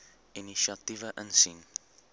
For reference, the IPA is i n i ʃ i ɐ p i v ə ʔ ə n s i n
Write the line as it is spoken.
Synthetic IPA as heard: i n i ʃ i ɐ t i v ə ʔ ə n s i n

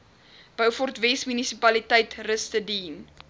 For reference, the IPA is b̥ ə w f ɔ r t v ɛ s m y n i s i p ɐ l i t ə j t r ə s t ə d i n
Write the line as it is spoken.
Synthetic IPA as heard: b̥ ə w f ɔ r t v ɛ s m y n i s i p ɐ l i t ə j t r ə s t ə d i n

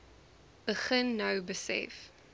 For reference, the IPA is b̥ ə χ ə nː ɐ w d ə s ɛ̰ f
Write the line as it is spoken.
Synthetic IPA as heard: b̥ ə χ ə nː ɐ w b ə s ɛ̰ f

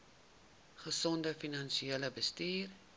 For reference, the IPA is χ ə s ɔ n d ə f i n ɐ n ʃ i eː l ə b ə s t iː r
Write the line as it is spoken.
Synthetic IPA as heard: χ ə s ɔ n d ə f i n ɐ n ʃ i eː l ə b ə s t iː r

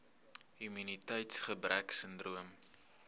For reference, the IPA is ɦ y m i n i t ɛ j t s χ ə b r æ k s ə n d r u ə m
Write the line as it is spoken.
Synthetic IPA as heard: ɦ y m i n i t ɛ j t s χ ə b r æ k s ə n d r u ə m

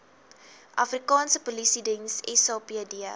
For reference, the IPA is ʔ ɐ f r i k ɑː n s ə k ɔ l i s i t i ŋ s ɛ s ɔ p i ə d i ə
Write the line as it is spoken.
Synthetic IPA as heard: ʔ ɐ f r i k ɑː n s ə p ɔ l i s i d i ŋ s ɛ s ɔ p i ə d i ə

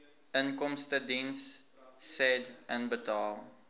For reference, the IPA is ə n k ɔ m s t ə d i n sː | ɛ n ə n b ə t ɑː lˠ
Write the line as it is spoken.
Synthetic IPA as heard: ə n k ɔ m s t ə d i n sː | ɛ d ə n b ə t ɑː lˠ

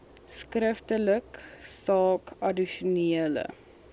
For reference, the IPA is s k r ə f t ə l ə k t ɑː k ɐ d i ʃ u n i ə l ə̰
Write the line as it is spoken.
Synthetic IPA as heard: s k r ə f t ə l ə k s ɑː k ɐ d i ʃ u n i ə l ə̰

